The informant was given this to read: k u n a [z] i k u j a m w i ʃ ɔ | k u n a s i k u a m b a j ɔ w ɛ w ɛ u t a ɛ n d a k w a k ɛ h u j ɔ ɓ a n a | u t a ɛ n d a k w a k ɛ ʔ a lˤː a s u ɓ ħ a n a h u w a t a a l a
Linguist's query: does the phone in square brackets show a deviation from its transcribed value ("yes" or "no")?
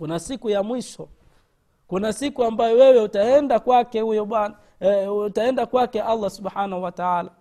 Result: yes